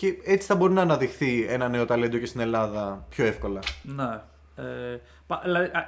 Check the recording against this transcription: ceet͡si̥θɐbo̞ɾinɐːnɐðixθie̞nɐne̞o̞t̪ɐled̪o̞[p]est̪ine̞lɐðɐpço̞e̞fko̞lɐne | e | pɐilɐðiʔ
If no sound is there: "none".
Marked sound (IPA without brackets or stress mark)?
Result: c